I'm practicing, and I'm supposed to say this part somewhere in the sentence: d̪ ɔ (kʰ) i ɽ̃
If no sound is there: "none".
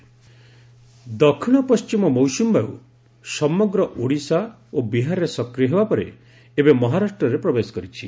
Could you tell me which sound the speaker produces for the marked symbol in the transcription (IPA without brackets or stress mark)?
kʰ